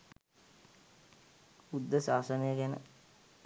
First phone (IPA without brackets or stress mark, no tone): u